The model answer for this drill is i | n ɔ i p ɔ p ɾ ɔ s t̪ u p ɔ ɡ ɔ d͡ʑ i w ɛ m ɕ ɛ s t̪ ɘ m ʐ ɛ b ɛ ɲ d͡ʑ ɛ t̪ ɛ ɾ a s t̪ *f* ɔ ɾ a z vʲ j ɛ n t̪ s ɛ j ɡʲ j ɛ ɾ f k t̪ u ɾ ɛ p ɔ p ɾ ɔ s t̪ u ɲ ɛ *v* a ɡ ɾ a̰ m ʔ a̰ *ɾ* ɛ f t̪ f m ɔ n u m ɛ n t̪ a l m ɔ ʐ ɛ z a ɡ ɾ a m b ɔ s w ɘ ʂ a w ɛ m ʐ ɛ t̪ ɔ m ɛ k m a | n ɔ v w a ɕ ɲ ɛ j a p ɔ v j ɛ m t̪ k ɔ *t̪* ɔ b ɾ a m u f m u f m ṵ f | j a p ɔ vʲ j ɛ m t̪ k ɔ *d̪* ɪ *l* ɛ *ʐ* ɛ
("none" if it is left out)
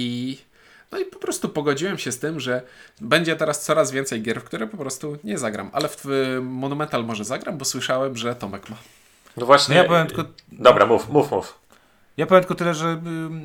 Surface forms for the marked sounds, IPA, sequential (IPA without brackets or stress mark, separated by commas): s, z, l, d̪, t̪, l, ʐ